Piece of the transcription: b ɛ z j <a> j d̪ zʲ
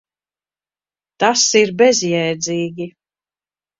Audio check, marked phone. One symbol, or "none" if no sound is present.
ɛ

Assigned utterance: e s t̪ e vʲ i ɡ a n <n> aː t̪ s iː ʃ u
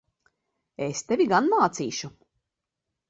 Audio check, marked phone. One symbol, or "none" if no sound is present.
m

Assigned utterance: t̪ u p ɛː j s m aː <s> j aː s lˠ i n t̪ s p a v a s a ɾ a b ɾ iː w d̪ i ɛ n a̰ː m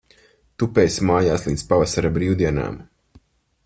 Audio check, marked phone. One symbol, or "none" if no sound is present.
none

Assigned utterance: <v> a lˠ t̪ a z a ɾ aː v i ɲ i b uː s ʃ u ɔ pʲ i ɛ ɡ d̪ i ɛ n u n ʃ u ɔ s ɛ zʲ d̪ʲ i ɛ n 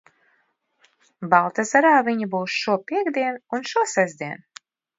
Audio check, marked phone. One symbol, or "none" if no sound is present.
b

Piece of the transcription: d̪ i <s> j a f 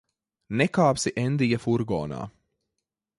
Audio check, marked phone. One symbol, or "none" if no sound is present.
none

